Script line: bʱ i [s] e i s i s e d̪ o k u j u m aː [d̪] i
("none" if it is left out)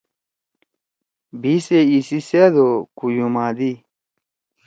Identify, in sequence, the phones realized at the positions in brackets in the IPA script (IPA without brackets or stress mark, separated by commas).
s, d̪